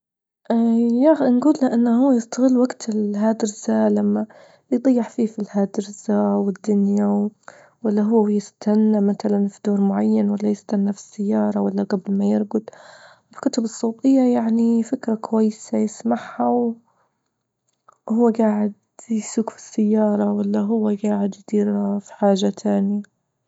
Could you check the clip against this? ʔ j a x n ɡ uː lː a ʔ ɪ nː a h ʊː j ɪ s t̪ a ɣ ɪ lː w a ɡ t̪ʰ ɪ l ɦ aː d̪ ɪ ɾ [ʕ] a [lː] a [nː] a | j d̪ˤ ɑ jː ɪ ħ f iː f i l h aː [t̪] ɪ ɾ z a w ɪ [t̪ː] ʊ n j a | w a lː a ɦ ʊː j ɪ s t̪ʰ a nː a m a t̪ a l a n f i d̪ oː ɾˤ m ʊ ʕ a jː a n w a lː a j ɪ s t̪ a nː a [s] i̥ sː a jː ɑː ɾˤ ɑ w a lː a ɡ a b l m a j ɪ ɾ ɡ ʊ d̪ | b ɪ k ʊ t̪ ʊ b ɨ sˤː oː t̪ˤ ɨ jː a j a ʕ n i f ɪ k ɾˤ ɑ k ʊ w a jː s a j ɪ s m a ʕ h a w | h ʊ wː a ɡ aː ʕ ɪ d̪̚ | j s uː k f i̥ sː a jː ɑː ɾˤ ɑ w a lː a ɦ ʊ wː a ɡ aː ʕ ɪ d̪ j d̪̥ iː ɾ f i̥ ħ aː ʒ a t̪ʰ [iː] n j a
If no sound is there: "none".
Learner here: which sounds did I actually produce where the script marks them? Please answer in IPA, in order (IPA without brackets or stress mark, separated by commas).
z, l, mː, d̪, d̪ː, f, aː